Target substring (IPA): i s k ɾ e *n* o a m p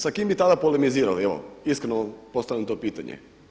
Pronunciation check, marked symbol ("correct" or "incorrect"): correct